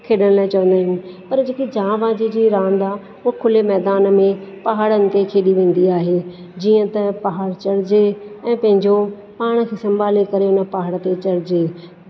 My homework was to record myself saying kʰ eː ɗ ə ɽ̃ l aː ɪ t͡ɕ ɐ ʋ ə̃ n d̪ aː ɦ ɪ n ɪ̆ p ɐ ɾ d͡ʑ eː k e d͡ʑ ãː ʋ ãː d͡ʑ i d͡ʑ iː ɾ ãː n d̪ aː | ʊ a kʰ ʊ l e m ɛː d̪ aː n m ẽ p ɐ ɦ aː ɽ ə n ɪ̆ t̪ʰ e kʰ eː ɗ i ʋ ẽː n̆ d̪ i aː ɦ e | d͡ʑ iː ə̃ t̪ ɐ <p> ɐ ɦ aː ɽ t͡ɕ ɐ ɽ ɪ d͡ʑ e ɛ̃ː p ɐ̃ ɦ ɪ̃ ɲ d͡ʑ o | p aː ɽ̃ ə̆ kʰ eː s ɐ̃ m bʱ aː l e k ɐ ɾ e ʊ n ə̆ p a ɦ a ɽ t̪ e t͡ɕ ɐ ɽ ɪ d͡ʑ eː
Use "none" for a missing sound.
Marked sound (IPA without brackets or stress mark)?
p